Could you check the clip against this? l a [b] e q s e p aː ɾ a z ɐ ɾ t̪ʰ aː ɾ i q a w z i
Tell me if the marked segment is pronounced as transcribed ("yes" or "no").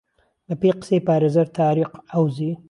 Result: no